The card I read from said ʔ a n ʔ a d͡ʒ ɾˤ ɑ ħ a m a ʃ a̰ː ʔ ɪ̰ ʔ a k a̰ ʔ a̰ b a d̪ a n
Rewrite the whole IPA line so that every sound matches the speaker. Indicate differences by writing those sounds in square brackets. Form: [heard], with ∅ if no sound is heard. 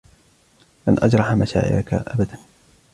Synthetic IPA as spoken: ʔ a n ʔ a d͡ʒ ɾˤ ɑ ħ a m a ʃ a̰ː ʔ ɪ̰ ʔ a k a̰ ʔ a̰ b a d̪ a n